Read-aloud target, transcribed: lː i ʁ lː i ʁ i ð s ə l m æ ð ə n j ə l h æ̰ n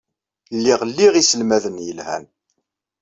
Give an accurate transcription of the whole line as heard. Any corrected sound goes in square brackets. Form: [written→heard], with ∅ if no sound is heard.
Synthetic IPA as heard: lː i ʁ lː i ʁ i [ð→∅] s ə l m æ ð ə n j ə l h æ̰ n